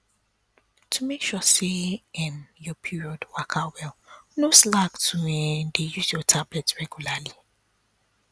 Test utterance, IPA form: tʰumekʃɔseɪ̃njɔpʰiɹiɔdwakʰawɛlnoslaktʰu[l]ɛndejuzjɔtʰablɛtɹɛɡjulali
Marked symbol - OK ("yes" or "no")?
no